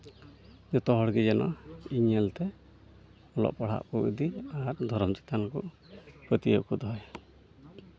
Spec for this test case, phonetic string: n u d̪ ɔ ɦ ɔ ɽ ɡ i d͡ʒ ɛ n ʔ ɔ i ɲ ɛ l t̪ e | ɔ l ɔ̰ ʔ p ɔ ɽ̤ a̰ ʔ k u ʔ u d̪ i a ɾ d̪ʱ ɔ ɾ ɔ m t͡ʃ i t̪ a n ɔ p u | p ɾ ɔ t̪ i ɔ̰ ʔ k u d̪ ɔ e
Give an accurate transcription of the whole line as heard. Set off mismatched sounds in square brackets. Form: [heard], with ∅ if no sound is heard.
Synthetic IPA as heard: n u [t̪] ɔ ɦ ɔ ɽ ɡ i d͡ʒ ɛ n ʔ ɔ i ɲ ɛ l t̪ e | ɔ l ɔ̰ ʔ p ɔ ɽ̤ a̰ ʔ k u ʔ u d̪ i a ɾ d̪ʱ ɔ ɾ ɔ m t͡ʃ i t̪ a n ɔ [k] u | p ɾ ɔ t̪ i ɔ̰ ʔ k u d̪ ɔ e